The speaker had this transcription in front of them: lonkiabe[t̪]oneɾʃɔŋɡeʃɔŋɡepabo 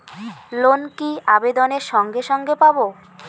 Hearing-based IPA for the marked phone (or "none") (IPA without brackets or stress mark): d̪